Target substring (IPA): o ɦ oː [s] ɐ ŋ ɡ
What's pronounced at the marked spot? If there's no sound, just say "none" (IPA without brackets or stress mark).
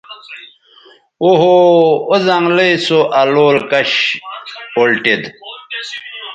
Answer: z